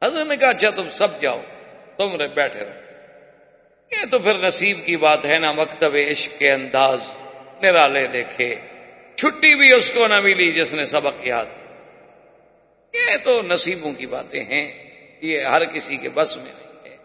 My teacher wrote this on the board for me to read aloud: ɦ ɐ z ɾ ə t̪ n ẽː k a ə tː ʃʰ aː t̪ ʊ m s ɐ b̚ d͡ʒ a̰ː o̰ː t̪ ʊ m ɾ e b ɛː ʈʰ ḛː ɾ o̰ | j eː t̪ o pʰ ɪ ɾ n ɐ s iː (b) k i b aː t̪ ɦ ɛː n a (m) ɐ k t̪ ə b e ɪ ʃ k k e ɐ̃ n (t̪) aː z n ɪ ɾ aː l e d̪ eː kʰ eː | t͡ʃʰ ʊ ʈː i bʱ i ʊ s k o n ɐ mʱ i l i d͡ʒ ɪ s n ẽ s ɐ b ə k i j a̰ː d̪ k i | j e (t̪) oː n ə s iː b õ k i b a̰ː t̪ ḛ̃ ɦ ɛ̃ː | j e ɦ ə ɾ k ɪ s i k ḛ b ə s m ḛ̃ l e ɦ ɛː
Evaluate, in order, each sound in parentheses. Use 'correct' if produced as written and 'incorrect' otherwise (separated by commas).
correct, correct, incorrect, correct